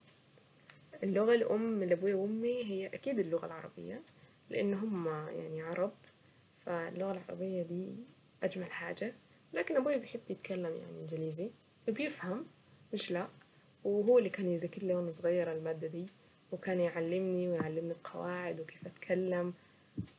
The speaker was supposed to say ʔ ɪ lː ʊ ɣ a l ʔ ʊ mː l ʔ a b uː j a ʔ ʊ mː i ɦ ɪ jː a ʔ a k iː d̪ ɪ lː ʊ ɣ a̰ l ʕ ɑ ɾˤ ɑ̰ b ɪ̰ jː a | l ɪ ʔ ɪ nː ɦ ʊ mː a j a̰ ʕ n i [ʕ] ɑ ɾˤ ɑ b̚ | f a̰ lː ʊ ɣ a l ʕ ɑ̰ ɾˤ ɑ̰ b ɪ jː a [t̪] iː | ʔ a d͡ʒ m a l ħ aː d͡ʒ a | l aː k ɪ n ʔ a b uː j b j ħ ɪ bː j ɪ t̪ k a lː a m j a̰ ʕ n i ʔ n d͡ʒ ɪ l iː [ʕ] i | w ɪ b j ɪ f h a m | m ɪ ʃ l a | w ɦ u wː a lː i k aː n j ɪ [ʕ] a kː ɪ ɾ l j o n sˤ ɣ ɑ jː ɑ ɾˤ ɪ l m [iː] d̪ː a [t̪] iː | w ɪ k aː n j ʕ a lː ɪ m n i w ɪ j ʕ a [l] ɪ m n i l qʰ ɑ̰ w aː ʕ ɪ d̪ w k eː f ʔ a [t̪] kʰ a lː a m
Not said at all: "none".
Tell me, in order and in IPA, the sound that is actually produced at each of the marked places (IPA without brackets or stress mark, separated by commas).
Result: ʕ, d̪, z, z, aː, d̪, lː, t̪